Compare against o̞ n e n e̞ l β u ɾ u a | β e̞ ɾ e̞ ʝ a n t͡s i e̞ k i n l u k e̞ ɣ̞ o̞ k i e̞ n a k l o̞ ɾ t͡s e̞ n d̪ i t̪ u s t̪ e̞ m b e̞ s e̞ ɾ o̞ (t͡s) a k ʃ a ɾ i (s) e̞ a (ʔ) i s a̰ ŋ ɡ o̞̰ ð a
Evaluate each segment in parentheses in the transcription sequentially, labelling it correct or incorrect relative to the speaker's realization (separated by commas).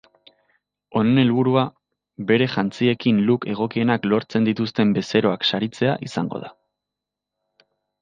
incorrect, incorrect, correct